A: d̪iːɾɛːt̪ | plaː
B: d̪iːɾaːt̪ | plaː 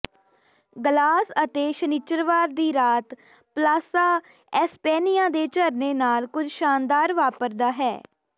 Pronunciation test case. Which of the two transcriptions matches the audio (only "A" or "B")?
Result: B